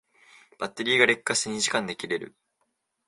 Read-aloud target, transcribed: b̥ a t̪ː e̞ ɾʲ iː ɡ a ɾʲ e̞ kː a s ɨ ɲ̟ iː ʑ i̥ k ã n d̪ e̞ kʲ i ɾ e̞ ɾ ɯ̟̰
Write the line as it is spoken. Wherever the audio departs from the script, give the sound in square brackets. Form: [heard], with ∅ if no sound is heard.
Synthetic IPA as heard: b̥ a t̪ː e̞ ɾʲ iː ɡ a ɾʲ e̞ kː a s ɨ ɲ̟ [i] ʑ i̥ k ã n d̪ e̞ kʲ i ɾ e̞ ɾ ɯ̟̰